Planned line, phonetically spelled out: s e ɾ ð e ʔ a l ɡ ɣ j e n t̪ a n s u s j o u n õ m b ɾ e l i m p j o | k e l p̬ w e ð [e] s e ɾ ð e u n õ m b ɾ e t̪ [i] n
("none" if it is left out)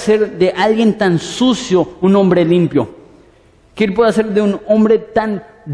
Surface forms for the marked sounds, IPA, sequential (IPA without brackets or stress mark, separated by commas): a, a